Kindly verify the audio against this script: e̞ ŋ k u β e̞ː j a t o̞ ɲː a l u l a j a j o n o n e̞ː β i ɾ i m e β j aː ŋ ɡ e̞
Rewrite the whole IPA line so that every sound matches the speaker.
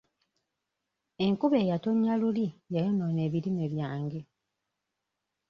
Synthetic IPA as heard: e̞ ŋ k u β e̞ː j a t o̞ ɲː a l u l i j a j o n o n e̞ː β i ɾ i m e β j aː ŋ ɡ e̞